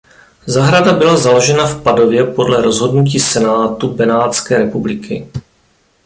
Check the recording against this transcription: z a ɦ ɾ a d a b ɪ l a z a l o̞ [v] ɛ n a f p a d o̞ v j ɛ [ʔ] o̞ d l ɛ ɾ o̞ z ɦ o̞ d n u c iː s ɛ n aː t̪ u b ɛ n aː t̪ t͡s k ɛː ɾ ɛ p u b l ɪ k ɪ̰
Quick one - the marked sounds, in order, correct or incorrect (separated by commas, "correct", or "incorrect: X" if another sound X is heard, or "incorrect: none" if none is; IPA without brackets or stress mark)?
incorrect: ʒ, incorrect: p